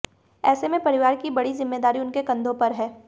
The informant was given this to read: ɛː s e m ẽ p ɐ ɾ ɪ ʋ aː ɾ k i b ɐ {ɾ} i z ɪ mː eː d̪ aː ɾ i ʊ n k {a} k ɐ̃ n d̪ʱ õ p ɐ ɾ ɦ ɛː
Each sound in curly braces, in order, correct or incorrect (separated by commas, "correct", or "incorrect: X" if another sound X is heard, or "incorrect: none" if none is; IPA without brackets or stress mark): incorrect: ɽ, incorrect: e